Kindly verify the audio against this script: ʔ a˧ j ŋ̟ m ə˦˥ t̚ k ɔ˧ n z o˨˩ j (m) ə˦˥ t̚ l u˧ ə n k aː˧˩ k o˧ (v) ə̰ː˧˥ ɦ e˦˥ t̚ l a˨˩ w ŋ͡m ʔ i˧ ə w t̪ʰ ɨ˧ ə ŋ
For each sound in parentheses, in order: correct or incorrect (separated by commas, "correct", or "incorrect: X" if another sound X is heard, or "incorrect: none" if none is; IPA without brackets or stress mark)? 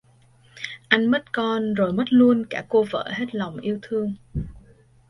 correct, correct